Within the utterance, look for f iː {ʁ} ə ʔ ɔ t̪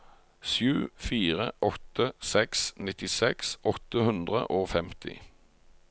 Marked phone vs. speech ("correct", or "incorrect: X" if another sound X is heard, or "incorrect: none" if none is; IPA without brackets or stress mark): correct